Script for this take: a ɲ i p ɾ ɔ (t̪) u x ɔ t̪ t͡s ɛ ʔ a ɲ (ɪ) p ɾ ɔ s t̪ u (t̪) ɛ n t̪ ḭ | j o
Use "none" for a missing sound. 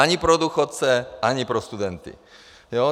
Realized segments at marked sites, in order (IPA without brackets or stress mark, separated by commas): d̪, i, d̪